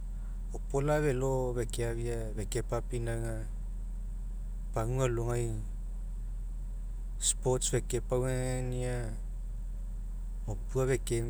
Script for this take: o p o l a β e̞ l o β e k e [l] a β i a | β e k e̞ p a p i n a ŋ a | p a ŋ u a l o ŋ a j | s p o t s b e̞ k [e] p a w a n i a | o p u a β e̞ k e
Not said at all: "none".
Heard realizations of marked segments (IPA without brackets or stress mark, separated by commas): none, e